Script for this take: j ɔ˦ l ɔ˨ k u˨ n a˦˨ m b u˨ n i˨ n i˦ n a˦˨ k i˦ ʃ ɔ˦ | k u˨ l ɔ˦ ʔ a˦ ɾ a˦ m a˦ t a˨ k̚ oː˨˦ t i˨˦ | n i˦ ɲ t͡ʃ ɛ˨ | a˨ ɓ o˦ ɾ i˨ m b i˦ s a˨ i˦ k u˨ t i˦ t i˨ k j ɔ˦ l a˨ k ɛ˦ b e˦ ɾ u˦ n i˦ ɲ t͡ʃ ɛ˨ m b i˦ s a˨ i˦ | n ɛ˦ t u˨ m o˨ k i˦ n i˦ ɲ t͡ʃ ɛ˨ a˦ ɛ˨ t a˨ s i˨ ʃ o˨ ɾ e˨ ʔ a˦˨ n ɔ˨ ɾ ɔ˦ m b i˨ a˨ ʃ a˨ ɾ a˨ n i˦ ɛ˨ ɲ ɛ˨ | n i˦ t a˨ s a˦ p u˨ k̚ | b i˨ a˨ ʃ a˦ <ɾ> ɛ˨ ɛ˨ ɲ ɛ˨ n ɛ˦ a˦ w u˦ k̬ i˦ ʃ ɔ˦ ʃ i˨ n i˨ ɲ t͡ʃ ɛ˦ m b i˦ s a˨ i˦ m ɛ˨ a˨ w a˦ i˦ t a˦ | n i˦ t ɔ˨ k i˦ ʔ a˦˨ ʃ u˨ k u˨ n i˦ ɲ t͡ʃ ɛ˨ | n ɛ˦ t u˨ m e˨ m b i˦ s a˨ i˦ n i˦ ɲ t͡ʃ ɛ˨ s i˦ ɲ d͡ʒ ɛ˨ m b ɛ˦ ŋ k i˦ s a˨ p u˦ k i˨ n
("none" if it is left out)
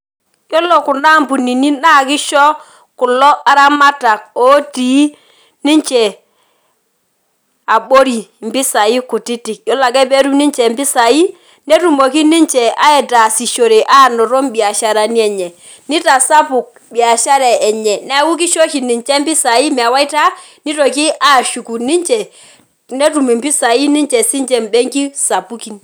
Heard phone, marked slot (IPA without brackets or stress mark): ɾ